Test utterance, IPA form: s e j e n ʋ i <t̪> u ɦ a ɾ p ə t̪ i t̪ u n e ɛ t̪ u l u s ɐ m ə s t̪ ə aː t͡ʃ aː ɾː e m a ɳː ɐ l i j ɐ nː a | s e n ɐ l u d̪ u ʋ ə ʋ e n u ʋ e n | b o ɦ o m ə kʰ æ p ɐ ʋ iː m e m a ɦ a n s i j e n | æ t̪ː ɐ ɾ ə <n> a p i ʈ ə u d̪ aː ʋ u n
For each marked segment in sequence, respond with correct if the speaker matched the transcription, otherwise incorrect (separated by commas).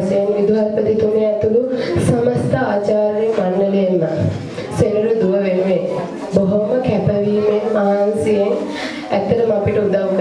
incorrect, incorrect